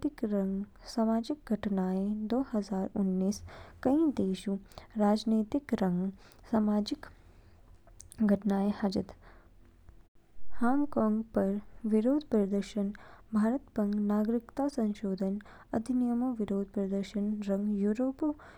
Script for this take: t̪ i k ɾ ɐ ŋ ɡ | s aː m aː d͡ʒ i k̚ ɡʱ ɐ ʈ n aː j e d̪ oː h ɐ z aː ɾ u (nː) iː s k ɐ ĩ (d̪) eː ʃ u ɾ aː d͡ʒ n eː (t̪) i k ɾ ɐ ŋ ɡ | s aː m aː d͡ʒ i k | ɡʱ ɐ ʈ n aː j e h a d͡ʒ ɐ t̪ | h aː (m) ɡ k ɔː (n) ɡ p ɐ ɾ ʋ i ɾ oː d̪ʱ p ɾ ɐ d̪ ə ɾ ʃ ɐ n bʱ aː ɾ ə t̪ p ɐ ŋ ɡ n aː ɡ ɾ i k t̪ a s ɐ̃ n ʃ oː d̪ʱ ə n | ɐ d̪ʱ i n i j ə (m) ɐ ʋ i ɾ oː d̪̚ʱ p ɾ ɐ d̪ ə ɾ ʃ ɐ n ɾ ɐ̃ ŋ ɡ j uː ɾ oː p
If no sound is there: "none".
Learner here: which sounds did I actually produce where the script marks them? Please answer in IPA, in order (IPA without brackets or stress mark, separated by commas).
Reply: nː, d̪, t̪, ŋ, ŋ, m